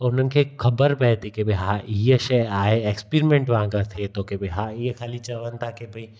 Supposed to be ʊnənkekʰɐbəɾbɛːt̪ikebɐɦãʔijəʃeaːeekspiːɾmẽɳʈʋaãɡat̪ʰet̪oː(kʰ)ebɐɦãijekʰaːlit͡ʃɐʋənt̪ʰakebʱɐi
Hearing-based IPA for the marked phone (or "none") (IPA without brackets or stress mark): k